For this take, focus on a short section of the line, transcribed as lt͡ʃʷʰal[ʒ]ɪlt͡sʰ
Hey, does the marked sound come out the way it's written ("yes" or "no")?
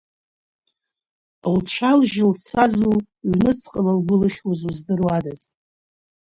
yes